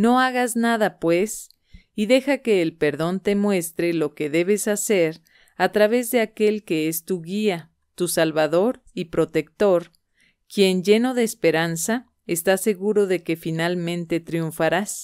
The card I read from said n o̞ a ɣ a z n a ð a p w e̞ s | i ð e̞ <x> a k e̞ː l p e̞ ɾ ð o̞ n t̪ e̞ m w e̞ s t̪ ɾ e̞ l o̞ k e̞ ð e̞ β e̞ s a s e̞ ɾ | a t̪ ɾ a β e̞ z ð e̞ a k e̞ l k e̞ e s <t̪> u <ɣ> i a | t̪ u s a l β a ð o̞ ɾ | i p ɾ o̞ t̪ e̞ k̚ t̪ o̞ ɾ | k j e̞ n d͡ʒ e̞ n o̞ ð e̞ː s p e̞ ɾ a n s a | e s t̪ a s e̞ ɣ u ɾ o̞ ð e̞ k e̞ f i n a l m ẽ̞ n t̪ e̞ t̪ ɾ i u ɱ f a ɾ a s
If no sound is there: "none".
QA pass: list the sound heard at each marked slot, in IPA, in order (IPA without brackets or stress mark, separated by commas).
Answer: x, t̪, ɣ